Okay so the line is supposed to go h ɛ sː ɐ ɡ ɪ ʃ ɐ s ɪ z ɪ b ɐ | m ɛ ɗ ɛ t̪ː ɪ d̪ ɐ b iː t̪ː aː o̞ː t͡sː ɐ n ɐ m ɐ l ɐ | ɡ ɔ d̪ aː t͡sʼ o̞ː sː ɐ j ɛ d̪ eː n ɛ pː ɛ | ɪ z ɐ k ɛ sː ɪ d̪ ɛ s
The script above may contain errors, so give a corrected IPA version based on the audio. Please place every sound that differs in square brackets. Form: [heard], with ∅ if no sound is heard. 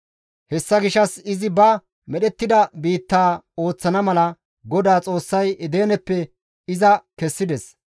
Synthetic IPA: h ɛ sː ɐ ɡ ɪ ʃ ɐ s ɪ z ɪ b ɐ | m ɛ ɗ ɛ t̪ː ɪ d̪ ɐ b iː t̪ː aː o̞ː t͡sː ɐ n ɐ m ɐ l ɐ | ɡ ɔ d̪ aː t͡sʼ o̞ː sː ɐ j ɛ d̪ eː n ɛ pː ɛ | ɪ z ɐ k ɛ sː ɪ d̪ ɛ s